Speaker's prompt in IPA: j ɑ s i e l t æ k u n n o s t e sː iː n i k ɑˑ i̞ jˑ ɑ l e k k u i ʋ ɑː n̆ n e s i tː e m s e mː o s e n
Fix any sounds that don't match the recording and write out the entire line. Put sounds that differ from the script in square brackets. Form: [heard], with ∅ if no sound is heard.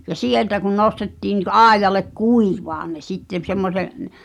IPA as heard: j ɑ s i e l t æ k u n n o s t e [tː] iː n i k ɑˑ i̞ jˑ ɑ l e k k u i ʋ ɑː n̆ n e s i tː e m s e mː o s e n

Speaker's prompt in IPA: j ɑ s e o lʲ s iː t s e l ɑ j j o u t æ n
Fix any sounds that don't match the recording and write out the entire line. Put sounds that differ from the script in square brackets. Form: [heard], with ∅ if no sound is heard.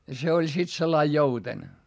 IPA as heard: j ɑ s e o lʲ s [i] t s e [lː] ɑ [i] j o u t [e] n

